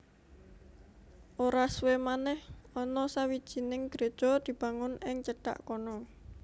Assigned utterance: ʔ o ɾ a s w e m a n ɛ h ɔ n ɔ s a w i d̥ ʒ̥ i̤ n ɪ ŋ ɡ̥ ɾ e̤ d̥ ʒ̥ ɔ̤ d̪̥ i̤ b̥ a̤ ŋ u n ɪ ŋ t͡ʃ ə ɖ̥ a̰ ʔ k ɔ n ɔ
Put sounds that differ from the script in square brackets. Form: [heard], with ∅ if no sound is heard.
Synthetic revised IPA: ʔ o ɾ a s w e m a n ɛ h ɔ n ɔ s a w i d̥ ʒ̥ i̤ n ɪ ŋ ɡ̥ ɾ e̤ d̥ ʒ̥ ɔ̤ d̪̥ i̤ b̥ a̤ ŋ [ʊ] n ɪ ŋ t͡ʃ ə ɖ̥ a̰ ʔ k ɔ n ɔ